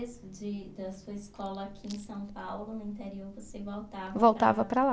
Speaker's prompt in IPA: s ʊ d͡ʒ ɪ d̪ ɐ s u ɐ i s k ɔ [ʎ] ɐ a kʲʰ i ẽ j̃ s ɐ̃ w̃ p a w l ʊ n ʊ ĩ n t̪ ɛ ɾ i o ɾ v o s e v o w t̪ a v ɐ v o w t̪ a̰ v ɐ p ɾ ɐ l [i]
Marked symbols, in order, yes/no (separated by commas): no, no